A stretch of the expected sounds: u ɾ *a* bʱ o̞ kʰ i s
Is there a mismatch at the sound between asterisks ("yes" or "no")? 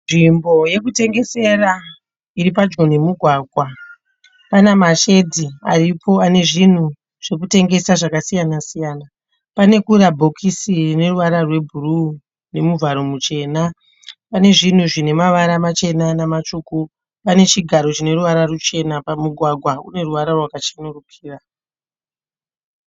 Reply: no